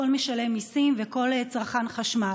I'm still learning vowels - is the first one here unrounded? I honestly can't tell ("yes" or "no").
no